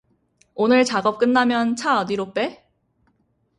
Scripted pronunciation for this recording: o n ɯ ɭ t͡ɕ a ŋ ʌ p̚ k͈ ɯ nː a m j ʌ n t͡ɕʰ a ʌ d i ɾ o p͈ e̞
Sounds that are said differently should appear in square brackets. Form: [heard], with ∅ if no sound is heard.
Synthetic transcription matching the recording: o n ɯ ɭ t͡ɕ a [ɡ] ʌ p̚ k͈ ɯ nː a m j ʌ n t͡ɕʰ a ʌ d i ɾ o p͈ e̞